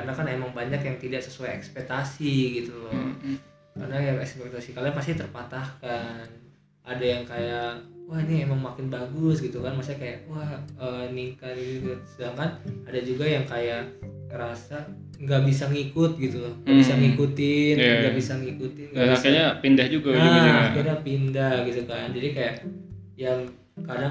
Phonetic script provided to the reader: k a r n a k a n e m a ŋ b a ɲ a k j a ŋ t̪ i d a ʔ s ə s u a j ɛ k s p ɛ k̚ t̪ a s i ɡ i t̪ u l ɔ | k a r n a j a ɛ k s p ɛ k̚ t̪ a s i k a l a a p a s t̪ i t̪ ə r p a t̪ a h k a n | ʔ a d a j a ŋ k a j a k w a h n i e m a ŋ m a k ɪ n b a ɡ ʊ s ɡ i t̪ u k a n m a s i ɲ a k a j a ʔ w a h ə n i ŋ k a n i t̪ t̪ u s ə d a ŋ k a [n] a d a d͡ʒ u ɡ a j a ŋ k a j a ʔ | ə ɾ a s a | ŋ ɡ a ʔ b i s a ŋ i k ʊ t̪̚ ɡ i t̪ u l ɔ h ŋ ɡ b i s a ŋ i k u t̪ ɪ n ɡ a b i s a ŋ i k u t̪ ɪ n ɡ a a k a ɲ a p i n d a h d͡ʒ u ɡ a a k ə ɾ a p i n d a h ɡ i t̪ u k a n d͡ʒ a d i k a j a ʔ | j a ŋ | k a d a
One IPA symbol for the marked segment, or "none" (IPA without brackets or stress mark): n